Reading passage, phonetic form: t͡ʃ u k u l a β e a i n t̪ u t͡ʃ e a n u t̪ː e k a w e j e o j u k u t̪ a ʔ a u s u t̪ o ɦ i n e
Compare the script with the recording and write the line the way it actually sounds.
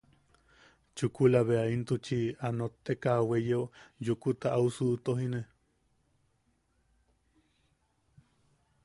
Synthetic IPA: t͡ʃ u k u l a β e a i n t̪ u t͡ʃ i a n o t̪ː e k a w e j e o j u k u t̪ a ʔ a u s u t̪ o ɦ i n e